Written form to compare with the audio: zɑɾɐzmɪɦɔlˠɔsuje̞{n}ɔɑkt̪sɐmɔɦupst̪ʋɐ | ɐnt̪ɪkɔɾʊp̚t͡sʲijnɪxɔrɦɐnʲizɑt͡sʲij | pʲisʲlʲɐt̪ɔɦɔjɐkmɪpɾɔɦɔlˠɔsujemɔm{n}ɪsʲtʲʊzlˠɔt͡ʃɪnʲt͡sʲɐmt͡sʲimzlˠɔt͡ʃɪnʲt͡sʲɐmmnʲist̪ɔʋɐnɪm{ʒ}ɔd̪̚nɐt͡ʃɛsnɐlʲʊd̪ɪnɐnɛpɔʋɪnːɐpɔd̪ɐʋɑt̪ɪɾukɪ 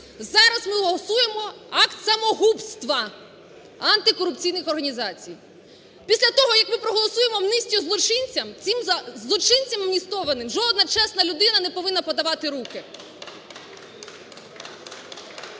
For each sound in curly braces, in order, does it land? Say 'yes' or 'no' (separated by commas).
no, yes, yes